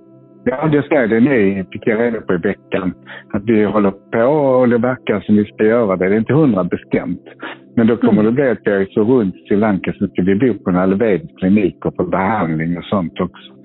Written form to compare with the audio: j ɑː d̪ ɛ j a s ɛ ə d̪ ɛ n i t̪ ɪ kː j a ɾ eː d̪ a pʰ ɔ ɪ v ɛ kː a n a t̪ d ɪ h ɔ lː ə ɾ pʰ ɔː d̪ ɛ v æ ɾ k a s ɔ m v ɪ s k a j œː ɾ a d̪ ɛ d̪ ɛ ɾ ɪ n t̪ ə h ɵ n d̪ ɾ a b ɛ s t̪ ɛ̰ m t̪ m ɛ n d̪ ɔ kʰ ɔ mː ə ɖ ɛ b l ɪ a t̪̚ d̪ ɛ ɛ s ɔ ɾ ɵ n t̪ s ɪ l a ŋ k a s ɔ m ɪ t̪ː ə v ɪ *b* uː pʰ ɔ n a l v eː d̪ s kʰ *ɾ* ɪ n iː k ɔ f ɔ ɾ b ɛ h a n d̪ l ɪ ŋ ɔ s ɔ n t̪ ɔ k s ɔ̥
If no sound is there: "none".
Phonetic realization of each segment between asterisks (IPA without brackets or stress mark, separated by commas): b, l